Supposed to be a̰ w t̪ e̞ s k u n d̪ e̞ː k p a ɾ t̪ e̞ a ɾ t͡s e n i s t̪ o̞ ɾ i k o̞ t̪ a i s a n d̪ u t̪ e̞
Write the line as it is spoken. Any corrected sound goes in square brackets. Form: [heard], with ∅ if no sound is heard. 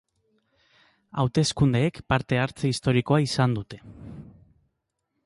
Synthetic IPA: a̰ w t̪ e̞ s k u n d̪ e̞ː k p a ɾ t̪ e̞ a ɾ t͡s e [∅] i s t̪ o̞ ɾ i k o̞ [∅] a i s a n d̪ u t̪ e̞